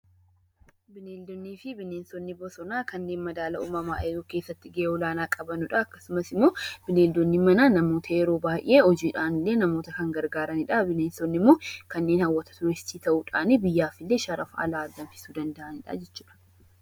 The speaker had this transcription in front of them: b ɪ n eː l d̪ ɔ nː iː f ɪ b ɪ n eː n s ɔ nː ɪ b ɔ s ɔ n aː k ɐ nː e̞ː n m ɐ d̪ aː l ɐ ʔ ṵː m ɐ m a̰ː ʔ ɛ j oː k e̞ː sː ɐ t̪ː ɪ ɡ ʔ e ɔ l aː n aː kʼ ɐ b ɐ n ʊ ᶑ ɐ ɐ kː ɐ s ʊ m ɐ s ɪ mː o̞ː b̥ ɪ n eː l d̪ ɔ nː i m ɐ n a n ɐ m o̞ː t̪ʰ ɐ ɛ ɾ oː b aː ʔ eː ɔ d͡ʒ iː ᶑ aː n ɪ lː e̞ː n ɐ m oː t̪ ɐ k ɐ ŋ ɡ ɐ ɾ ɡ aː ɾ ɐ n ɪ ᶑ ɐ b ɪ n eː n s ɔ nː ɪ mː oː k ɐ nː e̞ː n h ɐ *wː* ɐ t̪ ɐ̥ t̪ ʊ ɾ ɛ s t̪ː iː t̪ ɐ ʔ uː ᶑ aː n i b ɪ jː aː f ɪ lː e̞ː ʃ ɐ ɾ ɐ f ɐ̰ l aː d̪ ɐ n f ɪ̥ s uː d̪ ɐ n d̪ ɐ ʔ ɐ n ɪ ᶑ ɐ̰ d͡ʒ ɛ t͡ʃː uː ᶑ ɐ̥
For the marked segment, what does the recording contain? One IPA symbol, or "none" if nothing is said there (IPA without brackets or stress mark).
wː